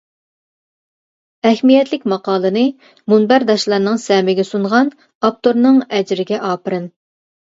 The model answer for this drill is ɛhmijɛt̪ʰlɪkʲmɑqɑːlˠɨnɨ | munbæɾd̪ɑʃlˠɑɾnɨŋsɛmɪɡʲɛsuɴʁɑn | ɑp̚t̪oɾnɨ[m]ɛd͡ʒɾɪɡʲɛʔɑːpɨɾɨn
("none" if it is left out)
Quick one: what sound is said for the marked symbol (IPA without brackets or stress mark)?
ŋ